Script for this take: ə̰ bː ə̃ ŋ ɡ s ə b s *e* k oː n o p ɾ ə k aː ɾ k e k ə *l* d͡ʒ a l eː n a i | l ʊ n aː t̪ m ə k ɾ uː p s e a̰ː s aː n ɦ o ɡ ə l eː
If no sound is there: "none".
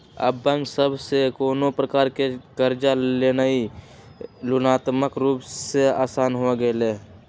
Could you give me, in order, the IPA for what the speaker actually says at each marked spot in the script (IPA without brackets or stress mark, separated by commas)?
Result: e, ɾ